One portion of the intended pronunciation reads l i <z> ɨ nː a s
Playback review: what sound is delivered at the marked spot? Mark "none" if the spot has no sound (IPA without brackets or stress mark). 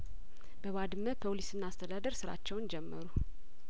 s